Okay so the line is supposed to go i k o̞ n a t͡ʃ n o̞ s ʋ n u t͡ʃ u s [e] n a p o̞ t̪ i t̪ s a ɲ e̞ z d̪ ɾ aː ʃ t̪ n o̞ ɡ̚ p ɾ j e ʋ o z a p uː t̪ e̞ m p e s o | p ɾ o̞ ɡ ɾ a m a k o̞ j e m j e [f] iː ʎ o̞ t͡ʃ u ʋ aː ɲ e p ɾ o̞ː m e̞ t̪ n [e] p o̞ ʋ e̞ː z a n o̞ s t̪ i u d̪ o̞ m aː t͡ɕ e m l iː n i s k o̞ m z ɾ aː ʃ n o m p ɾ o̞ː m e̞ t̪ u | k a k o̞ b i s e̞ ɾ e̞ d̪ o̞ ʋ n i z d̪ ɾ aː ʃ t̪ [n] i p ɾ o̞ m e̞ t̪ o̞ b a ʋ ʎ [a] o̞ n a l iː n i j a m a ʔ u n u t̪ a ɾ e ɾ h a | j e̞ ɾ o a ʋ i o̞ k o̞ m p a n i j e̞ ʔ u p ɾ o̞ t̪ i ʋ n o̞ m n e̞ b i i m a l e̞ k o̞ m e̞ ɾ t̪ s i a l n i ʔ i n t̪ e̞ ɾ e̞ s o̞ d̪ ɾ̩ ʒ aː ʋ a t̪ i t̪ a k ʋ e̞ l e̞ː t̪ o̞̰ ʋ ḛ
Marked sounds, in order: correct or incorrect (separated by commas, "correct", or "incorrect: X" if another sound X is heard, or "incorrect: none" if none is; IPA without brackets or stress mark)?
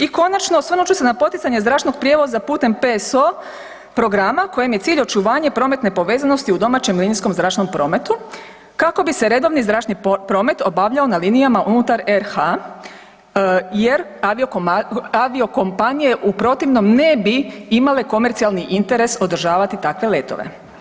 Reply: correct, incorrect: s, correct, correct, correct